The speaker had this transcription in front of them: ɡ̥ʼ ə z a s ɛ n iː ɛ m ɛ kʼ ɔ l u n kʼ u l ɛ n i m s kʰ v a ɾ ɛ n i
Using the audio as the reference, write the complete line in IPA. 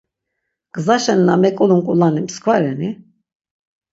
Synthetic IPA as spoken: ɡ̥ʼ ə z a ʃ ɛ n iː a m ɛ kʼ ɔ l u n kʼ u l a n i m s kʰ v a ɾ ɛ n i